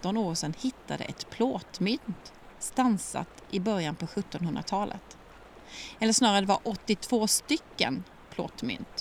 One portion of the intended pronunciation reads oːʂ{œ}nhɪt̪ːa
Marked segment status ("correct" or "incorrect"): incorrect